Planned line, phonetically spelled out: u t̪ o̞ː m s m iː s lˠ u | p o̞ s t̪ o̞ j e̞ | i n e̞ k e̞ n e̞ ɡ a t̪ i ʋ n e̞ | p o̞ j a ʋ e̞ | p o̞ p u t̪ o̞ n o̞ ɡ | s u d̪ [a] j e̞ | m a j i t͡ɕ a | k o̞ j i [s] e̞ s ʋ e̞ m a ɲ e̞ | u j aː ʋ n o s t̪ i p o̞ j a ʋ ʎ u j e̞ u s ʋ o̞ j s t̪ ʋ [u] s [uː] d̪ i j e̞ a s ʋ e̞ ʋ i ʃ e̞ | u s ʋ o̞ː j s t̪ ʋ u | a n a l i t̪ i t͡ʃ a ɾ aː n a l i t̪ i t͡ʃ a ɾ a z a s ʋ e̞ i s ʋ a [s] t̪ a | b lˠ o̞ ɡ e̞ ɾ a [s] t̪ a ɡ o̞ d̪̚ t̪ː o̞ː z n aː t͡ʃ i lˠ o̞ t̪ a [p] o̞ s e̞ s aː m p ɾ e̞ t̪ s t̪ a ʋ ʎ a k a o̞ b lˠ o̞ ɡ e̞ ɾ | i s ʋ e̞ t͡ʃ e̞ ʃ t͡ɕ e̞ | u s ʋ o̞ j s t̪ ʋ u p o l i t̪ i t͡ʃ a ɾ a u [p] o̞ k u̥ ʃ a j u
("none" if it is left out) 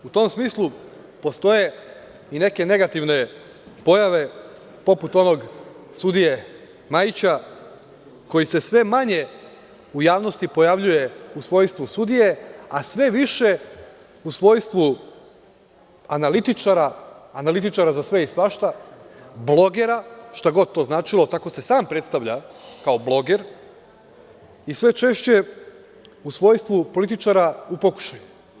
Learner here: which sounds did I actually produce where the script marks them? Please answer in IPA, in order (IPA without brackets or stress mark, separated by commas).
i, s, u, u, ʃ, ʃ, k, p